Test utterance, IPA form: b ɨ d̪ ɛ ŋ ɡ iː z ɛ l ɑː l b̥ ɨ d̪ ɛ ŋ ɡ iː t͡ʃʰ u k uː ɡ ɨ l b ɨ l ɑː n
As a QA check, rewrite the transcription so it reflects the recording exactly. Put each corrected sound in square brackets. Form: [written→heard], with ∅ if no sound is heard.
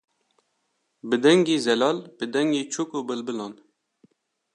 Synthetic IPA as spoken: b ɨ d̪ ɛ ŋ ɡ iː z ɛ l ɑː l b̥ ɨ d̪ ɛ ŋ ɡ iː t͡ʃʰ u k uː [ɡ→b] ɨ l b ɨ l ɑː n

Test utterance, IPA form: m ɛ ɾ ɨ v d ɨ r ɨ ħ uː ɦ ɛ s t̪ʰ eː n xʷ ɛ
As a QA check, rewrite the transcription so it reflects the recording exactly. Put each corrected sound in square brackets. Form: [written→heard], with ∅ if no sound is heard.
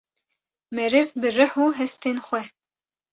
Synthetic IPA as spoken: m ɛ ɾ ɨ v [d→b] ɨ r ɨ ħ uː ɦ ɛ s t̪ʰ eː n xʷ ɛ

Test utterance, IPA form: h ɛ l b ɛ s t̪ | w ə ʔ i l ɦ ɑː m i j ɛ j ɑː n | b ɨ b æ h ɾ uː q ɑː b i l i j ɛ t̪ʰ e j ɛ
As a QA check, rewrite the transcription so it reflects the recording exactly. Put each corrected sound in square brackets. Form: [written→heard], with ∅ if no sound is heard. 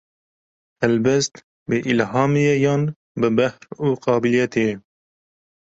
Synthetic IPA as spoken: h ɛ l b ɛ s t̪ | [w→b] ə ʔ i l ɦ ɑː m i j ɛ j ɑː n | b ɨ b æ h ɾ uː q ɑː b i l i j ɛ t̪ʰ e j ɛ

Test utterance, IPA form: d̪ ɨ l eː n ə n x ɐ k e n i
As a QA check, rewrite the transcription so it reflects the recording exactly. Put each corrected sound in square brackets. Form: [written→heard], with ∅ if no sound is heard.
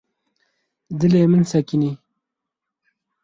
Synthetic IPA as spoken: d̪ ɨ l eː [n→m] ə n [x→s] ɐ k [e→i] n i

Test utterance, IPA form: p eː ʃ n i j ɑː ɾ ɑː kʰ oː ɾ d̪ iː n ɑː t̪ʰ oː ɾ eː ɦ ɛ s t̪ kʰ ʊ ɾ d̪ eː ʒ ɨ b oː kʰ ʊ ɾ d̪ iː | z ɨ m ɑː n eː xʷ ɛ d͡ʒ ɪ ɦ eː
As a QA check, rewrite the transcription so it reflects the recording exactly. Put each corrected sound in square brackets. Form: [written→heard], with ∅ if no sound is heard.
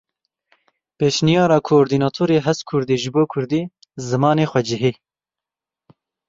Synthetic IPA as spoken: p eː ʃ n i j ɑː ɾ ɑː kʰ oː ɾ d̪ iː n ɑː t̪ʰ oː ɾ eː ɦ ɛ s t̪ kʰ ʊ ɾ d̪ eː ʒ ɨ b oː kʰ ʊ ɾ d̪ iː | z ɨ m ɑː n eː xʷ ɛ d͡ʒ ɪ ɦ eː

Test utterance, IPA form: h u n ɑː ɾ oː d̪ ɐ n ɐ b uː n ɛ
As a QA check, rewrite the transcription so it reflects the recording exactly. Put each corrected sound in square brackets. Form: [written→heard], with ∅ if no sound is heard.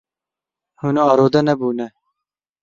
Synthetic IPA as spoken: h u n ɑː ɾ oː d̪ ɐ n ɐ b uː n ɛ

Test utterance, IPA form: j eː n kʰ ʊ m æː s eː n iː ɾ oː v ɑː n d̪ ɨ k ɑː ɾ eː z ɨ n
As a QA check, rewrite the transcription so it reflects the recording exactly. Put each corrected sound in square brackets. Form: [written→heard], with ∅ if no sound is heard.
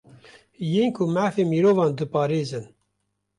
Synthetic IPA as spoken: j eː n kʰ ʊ m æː [s→f] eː [n→m] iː ɾ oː v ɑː n d̪ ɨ [k→p] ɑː ɾ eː z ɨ n

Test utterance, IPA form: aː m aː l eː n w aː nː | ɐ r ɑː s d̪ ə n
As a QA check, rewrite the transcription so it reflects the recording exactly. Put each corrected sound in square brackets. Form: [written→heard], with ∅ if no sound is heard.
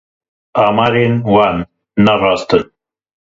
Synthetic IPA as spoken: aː m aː [l→ɾ] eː n w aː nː | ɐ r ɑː s [d̪→t̪] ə n

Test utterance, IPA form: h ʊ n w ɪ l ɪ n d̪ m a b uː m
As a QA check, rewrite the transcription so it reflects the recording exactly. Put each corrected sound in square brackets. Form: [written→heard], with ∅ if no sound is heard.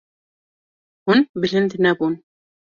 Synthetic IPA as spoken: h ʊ n [w→b] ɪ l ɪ n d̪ [m→n] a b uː [m→n]

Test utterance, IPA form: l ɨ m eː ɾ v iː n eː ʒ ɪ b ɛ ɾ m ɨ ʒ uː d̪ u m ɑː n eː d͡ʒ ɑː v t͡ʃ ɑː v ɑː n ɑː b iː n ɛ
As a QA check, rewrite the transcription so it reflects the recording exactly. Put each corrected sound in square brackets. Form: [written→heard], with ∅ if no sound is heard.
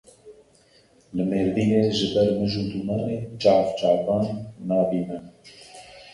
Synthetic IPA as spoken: l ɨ m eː ɾ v iː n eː ʒ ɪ b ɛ ɾ m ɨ ʒ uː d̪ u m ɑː n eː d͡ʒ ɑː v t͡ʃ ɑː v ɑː [n→nː] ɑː b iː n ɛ

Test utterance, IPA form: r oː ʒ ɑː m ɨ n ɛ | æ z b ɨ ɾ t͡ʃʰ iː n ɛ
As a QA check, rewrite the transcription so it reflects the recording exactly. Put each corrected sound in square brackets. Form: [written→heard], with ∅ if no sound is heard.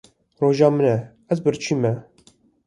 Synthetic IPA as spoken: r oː ʒ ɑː m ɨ n ɛ | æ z b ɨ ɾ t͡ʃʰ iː [n→m] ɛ

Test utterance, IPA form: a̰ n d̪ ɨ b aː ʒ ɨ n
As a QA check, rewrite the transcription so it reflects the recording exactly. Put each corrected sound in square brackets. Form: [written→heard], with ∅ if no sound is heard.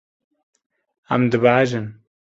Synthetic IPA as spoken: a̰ [n→m] d̪ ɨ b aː ʒ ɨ n

